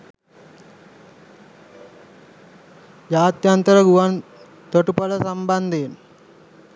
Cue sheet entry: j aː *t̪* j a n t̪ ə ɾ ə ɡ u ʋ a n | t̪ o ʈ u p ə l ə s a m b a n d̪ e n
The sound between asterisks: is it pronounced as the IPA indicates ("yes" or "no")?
yes